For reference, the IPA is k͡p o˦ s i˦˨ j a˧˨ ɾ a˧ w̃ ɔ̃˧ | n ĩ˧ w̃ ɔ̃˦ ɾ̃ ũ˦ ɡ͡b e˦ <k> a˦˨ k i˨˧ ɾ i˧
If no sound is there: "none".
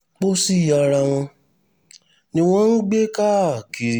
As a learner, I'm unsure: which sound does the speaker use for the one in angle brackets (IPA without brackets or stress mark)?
k